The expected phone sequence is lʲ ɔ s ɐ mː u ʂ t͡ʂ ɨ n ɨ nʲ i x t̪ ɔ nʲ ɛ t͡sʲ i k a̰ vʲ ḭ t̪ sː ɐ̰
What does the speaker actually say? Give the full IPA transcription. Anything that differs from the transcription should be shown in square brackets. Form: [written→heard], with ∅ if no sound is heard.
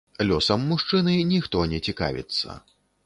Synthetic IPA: lʲ ɔ s ɐ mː u ʂ t͡ʂ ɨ n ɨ nʲ i x t̪ ɔ nʲ ɛ t͡sʲ i k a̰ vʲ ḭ t̪ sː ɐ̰